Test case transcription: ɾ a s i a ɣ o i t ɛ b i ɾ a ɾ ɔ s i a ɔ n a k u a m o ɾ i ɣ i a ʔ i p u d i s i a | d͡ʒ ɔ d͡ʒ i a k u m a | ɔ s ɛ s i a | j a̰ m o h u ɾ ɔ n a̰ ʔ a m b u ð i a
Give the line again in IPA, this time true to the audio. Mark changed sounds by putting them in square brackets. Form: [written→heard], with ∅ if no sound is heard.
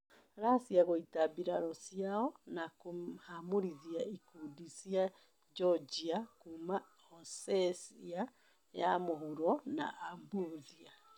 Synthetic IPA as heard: ɾ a s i a ɣ o i t [ɛ→a] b i ɾ a ɾ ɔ s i a ɔ n a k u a m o ɾ i [ɣ→ð] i a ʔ i [p→k] u d i s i a | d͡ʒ ɔ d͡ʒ i a k u m a | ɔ s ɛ s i a | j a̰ m o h u ɾ ɔ n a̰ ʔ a m b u ð i a